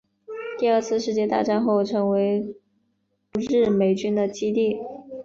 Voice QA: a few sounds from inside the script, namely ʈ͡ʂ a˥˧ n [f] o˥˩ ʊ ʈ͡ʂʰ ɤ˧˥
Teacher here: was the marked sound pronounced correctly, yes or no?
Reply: no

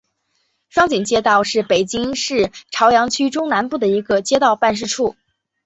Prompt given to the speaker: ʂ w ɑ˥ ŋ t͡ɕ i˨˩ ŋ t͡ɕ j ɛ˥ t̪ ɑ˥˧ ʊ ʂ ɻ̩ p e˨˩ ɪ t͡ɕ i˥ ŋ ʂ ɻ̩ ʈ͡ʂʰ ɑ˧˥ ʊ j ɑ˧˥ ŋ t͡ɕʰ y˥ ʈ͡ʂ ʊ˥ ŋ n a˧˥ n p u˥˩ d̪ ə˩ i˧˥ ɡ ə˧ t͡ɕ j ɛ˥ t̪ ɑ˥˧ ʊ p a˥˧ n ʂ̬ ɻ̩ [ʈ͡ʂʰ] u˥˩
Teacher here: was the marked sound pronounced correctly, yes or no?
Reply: yes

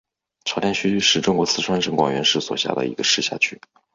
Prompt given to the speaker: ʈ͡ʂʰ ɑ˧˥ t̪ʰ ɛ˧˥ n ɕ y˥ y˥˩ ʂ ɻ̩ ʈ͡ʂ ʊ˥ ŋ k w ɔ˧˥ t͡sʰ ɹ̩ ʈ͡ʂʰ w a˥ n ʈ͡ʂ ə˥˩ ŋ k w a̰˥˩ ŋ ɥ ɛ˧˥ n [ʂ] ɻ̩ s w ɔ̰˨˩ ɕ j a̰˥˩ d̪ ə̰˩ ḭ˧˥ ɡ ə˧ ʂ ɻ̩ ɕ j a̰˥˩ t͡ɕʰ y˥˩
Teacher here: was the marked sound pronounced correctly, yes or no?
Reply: yes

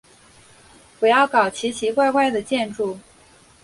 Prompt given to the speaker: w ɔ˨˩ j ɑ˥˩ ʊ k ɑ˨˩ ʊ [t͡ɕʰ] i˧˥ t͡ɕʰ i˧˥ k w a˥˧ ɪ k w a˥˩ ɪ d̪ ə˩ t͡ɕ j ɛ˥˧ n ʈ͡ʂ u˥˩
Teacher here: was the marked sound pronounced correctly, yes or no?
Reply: yes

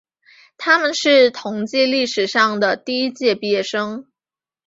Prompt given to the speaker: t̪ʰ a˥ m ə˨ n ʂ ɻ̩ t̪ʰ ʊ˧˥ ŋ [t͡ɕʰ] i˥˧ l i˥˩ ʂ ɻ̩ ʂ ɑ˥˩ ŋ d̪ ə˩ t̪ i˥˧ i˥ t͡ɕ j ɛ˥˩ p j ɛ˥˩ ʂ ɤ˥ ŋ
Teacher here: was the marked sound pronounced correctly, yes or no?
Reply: no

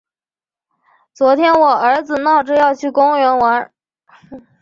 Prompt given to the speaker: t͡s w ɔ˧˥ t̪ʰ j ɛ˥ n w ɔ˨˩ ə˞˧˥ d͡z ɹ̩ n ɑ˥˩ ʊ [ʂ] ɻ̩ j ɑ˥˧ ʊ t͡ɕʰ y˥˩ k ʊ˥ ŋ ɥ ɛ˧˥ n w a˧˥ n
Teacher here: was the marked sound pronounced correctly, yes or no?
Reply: no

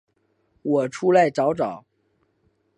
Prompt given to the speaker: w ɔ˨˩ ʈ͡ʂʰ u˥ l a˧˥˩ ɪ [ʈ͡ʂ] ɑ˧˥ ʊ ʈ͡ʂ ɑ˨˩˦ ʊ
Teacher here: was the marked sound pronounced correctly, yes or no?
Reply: yes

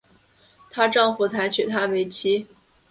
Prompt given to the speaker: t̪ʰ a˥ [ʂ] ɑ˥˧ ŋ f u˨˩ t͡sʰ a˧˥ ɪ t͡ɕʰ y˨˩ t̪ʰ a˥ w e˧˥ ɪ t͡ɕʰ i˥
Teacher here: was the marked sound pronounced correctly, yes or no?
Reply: no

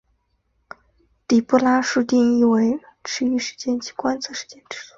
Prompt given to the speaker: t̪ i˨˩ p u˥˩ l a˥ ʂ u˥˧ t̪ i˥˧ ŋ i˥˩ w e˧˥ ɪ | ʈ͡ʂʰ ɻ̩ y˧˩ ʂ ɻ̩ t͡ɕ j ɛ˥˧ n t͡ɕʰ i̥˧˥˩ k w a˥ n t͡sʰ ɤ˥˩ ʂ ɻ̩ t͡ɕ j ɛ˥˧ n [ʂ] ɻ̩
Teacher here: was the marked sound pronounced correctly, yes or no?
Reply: no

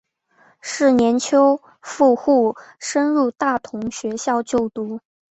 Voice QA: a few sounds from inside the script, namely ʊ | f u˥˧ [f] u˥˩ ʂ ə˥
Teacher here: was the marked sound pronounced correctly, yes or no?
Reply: no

